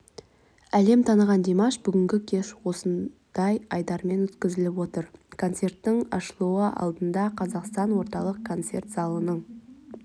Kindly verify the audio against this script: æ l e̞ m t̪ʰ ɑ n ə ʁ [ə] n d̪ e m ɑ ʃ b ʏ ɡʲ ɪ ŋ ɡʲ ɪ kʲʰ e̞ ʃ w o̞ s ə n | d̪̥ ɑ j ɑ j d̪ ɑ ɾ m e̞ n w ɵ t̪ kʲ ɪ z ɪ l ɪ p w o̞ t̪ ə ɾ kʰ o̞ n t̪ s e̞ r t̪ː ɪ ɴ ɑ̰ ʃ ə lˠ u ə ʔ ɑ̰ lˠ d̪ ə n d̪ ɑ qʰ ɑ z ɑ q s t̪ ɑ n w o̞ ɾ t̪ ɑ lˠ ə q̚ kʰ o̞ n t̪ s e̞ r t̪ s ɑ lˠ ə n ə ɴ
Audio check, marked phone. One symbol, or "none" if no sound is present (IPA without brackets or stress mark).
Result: ɑ